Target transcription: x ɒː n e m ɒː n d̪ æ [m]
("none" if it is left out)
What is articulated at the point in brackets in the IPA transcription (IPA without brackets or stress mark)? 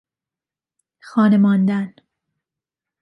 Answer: n